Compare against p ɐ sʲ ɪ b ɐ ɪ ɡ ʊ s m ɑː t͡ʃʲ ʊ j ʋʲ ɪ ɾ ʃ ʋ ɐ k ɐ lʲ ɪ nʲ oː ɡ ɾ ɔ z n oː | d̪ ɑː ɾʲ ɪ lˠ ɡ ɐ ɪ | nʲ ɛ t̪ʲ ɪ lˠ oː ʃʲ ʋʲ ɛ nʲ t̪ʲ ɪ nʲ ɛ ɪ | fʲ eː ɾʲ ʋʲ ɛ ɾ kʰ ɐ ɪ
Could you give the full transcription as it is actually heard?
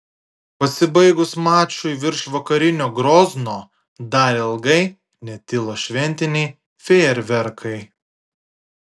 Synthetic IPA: p ɐ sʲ ɪ b ɐ ɪ ɡ ʊ s m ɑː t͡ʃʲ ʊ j ʋʲ ɪ ɾ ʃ ʋ ɐ k ɐ ɾʲ ɪ nʲ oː ɡ ɾ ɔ z n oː | d̪ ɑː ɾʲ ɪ lˠ ɡ ɐ ɪ | nʲ ɛ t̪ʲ ɪ lˠ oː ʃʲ ʋʲ ɛ nʲ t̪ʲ ɪ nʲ ɛ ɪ | fʲ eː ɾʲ ʋʲ ɛ ɾ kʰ ɐ ɪ